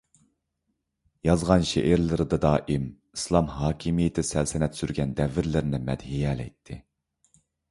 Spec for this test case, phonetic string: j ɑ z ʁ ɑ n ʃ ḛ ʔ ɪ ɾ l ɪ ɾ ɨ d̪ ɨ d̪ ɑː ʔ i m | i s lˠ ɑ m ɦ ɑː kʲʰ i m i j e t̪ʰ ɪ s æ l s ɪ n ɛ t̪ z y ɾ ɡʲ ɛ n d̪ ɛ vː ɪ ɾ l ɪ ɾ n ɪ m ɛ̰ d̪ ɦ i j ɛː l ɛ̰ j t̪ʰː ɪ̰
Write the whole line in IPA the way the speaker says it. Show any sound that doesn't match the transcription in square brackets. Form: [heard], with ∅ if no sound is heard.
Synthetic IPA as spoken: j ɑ z ʁ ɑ n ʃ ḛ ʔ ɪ ɾ l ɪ ɾ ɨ d̪ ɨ d̪ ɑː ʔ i m | i s lˠ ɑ m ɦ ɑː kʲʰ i m i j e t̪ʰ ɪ s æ l s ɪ n ɛ t̪ [s] y ɾ ɡʲ ɛ n d̪ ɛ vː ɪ ɾ l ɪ ɾ n ɪ m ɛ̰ d̪ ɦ i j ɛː l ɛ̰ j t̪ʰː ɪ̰